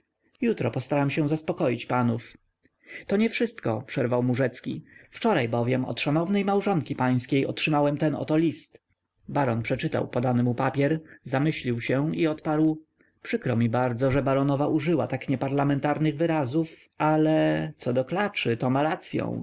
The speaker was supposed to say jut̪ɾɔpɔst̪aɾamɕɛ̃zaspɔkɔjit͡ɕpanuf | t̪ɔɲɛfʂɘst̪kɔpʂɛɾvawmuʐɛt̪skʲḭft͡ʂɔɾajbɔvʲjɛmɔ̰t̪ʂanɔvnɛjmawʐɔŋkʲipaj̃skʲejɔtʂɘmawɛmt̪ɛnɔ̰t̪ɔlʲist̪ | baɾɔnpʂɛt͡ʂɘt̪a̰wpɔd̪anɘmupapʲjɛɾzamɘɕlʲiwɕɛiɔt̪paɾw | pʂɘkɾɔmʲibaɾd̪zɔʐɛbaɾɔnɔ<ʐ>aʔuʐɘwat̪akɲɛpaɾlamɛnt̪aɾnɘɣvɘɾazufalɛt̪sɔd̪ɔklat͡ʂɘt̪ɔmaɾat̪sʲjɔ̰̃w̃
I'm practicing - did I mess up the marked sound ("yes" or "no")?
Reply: yes